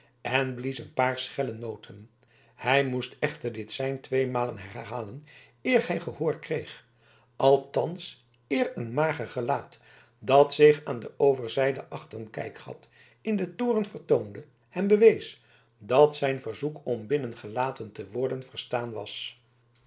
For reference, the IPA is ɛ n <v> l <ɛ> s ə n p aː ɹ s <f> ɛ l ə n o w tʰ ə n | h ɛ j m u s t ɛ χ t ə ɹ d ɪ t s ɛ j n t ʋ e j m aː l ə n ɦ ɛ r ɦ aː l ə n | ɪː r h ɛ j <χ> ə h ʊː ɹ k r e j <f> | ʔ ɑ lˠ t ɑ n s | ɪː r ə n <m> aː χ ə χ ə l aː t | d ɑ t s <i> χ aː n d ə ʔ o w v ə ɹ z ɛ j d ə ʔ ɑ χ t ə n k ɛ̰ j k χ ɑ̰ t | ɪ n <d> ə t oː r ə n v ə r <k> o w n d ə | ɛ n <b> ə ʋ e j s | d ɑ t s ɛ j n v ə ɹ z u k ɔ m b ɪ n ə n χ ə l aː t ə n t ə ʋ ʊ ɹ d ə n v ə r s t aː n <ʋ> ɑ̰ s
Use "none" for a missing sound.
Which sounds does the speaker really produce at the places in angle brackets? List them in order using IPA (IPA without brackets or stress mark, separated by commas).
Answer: b, i, χ, χ, χ, m, ɪ, d, t, b, ʋ